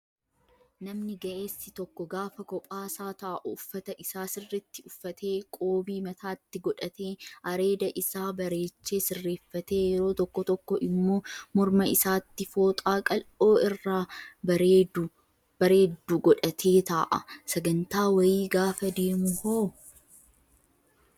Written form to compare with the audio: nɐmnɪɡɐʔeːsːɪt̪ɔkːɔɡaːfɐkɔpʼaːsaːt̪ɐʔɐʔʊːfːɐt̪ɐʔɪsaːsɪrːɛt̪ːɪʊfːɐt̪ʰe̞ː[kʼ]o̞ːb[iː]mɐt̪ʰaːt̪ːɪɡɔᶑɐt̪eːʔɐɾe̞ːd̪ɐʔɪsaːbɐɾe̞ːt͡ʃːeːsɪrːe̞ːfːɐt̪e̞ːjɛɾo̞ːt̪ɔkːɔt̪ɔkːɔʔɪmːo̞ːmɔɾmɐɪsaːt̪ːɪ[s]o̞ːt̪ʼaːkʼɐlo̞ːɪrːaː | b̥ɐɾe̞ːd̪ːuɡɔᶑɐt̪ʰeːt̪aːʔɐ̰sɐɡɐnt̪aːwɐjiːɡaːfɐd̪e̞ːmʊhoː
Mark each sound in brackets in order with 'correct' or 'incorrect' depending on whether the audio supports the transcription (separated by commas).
correct, correct, incorrect